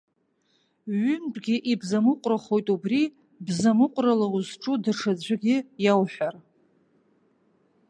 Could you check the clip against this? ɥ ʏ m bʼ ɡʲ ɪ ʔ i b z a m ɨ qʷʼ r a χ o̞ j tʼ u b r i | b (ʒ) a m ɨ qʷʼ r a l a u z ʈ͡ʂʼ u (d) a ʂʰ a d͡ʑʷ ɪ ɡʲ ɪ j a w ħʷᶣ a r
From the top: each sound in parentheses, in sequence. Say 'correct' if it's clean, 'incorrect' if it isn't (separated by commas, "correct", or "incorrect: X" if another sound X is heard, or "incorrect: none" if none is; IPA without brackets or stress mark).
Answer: incorrect: z, correct